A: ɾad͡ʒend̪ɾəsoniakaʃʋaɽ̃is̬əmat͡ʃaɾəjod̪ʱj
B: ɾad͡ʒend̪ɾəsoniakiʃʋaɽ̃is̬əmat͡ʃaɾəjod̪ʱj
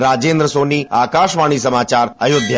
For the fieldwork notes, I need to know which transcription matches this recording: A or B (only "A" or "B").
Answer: A